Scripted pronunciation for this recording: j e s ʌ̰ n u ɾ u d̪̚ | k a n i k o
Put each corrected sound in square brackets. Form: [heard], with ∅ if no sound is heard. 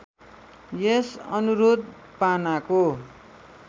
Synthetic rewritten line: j e s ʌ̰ n u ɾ [o] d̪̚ | [p] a n [a] k o

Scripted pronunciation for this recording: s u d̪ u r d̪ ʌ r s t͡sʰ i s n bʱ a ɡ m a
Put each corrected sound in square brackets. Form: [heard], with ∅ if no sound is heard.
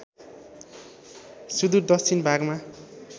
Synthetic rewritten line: s u d̪ u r d̪ ʌ [∅] s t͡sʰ i [∅] n bʱ a ɡ m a

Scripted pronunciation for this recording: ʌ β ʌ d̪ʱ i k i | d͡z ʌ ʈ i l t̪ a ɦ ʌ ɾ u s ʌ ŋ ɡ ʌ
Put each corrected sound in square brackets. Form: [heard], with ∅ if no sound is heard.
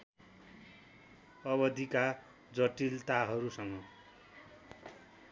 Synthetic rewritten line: ʌ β ʌ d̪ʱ i k [a] | d͡z ʌ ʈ i l t̪ a ɦ ʌ ɾ u s ʌ ŋ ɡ ʌ

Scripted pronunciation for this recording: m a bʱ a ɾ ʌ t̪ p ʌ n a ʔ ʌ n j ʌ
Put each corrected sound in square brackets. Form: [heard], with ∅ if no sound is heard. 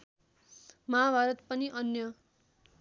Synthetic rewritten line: m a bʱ a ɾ ʌ t̪ p ʌ n [i] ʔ ʌ n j ʌ

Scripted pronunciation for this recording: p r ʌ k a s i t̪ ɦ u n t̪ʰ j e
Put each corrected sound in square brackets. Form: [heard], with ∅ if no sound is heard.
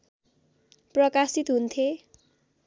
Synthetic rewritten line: p r ʌ k a s i t̪ ɦ u n t̪ʰ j e

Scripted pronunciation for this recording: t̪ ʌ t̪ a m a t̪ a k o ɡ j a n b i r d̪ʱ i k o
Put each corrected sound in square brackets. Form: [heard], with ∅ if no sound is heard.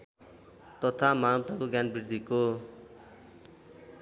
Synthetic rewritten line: t̪ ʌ [t̪ʰ] a m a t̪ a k o ɡ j a n b i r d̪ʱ i k o

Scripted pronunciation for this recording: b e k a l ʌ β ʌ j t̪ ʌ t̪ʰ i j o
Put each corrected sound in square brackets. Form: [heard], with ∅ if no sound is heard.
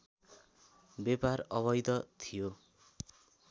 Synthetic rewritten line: b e [p] a [r] ʌ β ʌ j [d̪] ʌ t̪ʰ i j o

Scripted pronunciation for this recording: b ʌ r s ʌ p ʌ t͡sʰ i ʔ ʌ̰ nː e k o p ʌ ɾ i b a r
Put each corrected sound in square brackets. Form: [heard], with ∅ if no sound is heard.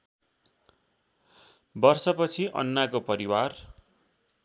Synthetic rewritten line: b ʌ r s ʌ p ʌ t͡sʰ i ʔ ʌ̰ nː [a] k o p ʌ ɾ i [w] a r

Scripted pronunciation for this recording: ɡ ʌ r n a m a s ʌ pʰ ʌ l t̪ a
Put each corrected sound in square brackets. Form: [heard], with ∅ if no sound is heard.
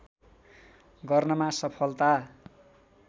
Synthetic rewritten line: ɡ ʌ r n [ʌ] m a s ʌ pʰ ʌ l t̪ a

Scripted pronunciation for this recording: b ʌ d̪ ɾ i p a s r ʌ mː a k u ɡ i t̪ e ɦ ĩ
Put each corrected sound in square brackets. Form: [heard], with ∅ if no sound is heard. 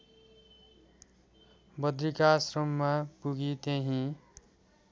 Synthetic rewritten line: b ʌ d̪ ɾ i [k] a s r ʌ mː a [p] u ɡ i t̪ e ɦ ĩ

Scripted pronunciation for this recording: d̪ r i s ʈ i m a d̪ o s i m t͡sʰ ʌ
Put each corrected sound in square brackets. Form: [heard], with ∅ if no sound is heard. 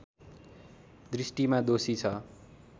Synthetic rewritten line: d̪ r i s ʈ i m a d̪ o s i [∅] t͡sʰ ʌ

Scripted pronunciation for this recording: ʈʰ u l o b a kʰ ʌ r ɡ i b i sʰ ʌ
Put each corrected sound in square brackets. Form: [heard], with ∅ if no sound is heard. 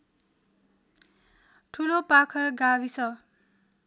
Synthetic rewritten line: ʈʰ u l o [p] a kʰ ʌ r ɡ [a] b i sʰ ʌ

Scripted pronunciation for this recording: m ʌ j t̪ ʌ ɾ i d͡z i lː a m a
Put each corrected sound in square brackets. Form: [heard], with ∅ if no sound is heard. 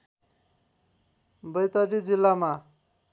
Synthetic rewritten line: [b] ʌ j t̪ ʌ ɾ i d͡z i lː a m a

